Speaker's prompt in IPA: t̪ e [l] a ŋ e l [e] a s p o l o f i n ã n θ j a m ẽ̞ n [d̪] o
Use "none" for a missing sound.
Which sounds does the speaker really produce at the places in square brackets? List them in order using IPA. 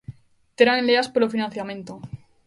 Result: ɾ, e, t̪

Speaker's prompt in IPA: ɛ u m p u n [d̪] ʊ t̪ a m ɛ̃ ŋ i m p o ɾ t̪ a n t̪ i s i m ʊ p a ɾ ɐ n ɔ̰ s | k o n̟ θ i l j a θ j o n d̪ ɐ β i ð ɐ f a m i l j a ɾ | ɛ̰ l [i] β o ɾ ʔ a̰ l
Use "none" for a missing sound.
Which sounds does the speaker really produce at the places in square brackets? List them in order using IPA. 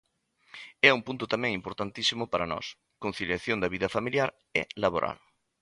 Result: t̪, a

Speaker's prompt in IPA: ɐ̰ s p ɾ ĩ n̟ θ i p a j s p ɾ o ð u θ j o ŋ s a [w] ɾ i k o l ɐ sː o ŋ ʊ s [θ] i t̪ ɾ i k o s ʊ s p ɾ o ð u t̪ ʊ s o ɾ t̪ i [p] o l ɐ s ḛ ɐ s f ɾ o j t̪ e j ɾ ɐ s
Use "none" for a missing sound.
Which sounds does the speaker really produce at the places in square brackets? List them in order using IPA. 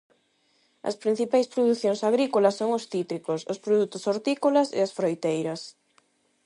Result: ɣ, θ, k

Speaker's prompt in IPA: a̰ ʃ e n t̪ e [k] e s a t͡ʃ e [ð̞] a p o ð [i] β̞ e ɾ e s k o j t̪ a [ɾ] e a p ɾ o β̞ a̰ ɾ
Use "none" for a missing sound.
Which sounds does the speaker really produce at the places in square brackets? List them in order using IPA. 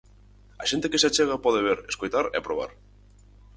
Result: k, ɣ̞, e, ɾ

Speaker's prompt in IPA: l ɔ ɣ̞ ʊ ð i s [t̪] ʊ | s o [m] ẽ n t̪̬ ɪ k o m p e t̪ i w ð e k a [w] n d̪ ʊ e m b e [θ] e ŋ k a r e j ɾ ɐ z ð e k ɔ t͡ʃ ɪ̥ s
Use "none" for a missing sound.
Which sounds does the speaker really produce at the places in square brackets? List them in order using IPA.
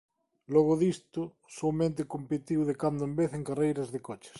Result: t̪, m, none, θ

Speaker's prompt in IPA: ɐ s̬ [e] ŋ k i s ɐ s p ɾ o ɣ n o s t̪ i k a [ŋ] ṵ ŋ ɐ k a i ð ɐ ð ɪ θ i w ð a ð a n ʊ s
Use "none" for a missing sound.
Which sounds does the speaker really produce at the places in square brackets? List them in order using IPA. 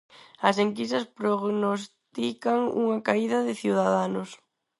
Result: e, ŋ

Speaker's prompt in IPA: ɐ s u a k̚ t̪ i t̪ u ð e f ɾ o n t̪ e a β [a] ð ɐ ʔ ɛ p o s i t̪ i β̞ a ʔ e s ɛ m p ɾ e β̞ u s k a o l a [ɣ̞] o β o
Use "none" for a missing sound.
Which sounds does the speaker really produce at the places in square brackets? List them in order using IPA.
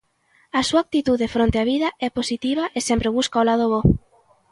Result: i, ð̞

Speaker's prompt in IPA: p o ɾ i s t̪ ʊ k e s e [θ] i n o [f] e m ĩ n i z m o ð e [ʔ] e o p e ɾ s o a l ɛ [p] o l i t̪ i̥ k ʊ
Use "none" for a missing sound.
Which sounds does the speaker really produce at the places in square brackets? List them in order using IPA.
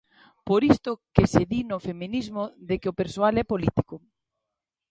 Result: ð, f, k, p

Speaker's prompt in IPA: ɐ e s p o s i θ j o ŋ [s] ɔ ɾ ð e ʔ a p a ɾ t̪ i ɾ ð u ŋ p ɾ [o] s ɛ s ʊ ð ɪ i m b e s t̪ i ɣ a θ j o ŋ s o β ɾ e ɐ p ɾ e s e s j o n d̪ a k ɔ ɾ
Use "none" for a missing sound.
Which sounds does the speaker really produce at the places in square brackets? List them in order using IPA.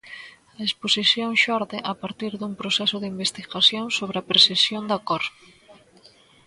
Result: ʃ, o

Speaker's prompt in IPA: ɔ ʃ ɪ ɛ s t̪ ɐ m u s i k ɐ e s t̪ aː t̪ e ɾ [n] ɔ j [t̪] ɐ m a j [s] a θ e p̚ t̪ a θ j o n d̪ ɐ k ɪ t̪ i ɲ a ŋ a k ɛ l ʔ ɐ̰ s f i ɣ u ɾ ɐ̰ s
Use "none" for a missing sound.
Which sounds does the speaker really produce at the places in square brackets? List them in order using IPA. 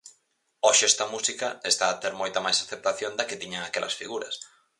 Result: m, t̪, s

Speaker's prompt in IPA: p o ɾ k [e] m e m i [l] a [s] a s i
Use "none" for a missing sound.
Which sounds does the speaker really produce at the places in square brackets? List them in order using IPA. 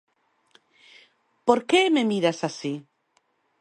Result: e, ɾ, s

